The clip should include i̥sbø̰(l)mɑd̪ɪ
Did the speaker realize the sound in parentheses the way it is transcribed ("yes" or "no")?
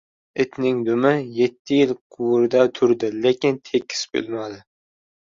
yes